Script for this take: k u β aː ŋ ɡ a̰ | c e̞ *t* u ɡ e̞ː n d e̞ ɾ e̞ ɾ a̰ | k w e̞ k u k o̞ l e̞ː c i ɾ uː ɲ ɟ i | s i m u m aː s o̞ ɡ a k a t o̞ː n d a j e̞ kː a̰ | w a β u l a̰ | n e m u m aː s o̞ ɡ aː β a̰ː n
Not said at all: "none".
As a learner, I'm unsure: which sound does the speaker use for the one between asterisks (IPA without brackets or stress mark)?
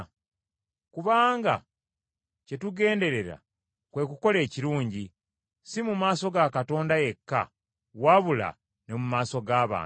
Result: t